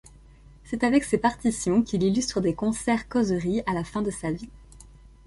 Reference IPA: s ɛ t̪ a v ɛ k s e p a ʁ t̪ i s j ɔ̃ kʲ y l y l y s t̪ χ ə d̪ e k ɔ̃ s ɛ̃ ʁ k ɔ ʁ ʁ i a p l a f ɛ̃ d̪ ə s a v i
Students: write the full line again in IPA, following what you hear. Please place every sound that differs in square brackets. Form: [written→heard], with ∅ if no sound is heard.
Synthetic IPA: s ɛ t̪ a v ɛ k s e p a ʁ t̪ i s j ɔ̃ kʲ [y→i] l [y→i] l y s t̪ χ ə d̪ e k ɔ̃ s [ɛ̃→ɛ] ʁ k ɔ [ʁ→z] ʁ i a [p→∅] l a f ɛ̃ d̪ ə s a v i

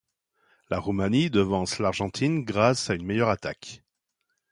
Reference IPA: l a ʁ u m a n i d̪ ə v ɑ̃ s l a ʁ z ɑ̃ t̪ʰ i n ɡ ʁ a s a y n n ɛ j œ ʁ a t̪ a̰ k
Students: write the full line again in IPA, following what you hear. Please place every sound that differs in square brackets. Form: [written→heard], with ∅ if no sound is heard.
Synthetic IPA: l a ʁ u m a n i d̪ ə v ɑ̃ s l a ʁ [z→ʒ] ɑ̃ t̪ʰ i n ɡ ʁ a s a y n [n→m] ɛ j œ ʁ a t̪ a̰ k

